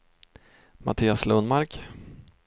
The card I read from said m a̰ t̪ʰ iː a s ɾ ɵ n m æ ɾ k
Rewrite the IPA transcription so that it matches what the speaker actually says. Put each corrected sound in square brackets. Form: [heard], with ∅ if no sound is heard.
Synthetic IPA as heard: m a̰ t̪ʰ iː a s [l] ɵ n m [a] ɾ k